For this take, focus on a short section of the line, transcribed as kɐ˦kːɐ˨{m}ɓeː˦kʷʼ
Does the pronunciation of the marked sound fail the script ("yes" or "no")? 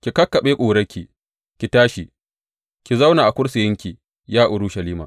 yes